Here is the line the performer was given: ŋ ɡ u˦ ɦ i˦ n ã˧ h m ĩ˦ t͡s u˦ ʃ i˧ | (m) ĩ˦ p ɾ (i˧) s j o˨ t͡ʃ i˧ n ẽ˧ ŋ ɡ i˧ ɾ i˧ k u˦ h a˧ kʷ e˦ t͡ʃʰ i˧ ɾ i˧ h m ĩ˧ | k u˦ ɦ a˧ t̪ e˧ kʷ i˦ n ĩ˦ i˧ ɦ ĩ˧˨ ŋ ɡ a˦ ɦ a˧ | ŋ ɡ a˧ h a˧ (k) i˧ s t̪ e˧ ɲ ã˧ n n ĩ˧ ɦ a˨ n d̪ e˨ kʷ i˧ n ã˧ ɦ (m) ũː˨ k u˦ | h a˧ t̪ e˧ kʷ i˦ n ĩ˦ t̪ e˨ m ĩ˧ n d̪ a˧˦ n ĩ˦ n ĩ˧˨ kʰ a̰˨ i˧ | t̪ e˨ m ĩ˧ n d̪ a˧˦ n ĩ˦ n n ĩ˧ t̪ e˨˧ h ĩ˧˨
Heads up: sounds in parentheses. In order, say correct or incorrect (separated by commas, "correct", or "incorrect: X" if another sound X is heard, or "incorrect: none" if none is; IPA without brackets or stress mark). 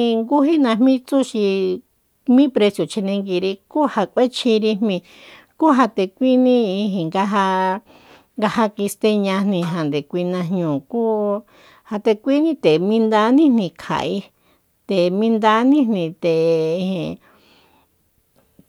correct, incorrect: e˧, correct, incorrect: ɲ